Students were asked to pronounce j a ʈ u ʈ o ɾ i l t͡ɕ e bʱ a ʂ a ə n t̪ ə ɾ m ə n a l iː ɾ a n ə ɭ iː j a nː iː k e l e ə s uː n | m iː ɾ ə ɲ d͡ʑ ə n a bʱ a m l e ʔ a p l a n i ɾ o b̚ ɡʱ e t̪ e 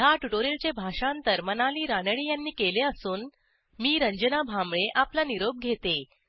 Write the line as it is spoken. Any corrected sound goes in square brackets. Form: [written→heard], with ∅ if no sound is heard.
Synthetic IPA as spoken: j a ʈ u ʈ o ɾ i l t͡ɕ e bʱ a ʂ a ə n t̪ ə ɾ m ə n a l iː ɾ a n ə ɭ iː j a nː iː k e l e ə s uː n | m iː ɾ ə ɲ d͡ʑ ə n a bʱ a m [l→ɭ] e ʔ a p l a n i ɾ o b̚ ɡʱ e t̪ e